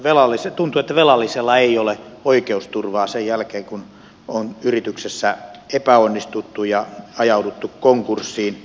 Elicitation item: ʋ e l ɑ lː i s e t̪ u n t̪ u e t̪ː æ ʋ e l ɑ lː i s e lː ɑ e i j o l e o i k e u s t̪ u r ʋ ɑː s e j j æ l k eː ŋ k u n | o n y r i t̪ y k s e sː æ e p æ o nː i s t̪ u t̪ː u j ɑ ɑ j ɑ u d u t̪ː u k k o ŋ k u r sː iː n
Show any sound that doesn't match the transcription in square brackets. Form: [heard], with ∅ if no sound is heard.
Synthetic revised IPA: ʋ e l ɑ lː i s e t̪ u n t̪ u e t̪ː æ ʋ e l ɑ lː i s e lː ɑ e i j o l e o i k e u s t̪ u r ʋ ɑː s e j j æ l k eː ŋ k u n | o n y r i t̪ y k s e sː æ e p æ o nː i s t̪ u t̪ː u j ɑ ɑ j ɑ u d u t̪ː u k k o ŋ k u r sː iː n